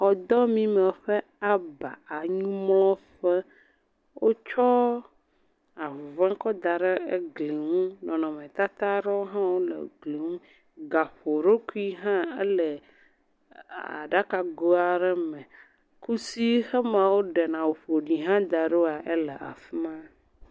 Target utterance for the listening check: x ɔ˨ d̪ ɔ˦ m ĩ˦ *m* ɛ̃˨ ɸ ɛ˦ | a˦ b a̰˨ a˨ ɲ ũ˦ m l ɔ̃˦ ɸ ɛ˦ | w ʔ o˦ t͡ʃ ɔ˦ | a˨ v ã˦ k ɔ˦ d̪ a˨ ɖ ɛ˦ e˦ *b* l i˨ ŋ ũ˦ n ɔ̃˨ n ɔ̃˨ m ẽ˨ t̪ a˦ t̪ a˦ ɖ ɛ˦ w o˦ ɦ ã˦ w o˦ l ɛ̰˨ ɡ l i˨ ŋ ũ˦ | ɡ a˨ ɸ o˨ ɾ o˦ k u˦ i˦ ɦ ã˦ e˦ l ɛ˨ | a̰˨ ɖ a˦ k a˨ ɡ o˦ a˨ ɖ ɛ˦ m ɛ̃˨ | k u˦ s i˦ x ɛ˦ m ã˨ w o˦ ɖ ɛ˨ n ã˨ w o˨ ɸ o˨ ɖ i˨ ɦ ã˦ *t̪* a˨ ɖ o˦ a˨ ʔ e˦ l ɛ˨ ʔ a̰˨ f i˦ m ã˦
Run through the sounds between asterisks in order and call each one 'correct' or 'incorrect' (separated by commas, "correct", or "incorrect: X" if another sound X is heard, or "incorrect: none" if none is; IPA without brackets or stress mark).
correct, incorrect: ɡ, incorrect: d̪